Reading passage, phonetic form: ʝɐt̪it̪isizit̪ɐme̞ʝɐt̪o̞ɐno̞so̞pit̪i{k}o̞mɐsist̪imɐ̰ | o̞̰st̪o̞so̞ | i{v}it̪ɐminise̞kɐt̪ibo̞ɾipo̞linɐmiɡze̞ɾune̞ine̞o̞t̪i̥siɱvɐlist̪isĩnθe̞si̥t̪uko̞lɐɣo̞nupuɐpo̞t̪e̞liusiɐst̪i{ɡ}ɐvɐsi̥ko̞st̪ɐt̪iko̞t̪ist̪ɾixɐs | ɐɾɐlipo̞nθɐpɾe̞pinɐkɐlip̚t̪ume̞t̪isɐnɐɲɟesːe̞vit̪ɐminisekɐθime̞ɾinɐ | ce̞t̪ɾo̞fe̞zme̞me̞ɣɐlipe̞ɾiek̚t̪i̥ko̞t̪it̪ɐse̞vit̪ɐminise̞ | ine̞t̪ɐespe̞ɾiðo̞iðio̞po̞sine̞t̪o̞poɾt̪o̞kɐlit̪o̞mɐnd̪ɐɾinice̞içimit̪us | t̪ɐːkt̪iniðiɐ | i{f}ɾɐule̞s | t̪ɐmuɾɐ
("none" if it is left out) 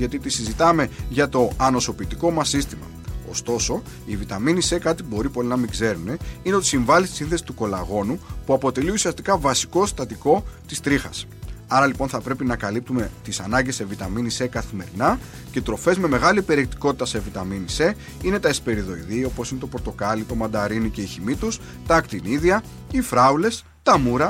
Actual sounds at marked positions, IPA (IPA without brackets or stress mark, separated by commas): k, v, k, f